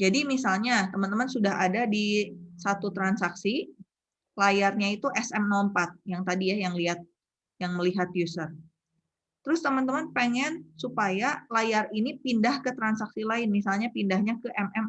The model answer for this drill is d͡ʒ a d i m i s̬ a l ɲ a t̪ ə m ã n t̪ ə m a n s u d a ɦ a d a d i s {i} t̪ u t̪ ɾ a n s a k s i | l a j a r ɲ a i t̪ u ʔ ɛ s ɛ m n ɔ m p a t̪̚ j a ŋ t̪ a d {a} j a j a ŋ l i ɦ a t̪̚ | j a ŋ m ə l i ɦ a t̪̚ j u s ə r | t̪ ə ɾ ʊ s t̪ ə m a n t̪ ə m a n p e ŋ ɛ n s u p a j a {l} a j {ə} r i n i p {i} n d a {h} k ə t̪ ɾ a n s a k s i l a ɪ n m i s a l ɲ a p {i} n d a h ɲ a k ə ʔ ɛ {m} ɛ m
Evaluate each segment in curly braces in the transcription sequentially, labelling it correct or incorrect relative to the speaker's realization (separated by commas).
incorrect, incorrect, correct, incorrect, correct, correct, correct, correct